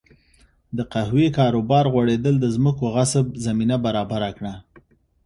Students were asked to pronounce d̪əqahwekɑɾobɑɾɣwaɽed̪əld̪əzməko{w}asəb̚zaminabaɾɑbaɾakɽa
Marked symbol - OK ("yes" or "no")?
no